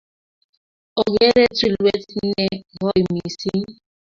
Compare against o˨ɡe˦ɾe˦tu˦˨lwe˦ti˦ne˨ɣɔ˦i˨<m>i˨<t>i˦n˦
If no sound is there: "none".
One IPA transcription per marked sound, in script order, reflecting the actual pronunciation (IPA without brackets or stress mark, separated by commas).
m, s